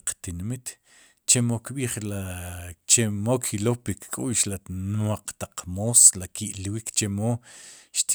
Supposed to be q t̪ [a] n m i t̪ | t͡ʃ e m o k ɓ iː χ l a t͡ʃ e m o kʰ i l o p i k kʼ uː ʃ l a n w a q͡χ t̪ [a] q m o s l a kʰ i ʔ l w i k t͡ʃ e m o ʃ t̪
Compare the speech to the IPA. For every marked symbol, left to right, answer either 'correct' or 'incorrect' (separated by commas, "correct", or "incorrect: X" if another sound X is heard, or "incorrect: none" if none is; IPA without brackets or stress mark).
incorrect: i, correct